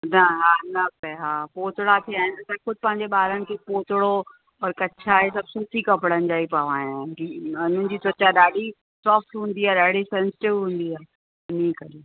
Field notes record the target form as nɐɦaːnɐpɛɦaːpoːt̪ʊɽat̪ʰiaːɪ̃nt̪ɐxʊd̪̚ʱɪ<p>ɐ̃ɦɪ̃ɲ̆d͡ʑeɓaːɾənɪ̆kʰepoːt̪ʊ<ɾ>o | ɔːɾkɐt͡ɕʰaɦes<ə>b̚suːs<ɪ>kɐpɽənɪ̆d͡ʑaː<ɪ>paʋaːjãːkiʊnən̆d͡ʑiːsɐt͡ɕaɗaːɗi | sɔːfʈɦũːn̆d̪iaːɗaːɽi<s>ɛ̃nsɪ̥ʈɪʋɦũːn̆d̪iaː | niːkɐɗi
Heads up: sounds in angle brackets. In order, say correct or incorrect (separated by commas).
correct, incorrect, incorrect, incorrect, incorrect, correct